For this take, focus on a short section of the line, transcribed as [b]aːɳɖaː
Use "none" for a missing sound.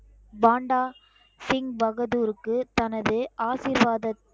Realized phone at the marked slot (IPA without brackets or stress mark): b